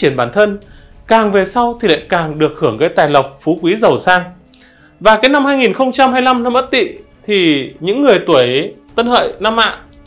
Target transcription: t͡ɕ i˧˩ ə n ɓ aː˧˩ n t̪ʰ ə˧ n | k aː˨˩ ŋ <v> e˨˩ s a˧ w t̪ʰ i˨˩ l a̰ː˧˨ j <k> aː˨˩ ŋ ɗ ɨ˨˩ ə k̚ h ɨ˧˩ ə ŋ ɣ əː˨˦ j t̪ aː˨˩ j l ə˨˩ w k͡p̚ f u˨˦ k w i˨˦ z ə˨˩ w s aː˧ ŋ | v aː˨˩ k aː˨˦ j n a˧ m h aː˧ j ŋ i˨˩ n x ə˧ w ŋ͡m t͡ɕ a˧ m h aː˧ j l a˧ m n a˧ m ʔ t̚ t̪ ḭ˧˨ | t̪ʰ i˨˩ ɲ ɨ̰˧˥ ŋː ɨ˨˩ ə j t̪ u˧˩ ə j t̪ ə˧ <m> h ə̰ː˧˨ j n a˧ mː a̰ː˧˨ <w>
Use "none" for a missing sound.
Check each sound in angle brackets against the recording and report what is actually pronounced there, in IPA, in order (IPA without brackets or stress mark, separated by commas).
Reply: v, k, n, none